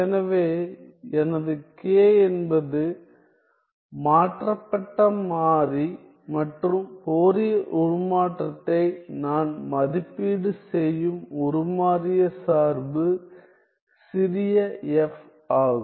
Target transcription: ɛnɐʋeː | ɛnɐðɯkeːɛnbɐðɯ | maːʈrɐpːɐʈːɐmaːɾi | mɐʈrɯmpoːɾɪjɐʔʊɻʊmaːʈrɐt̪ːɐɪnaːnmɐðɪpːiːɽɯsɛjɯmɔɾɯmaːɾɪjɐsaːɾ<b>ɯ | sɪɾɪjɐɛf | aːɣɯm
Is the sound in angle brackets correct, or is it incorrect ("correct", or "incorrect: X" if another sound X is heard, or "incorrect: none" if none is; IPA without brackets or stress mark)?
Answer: correct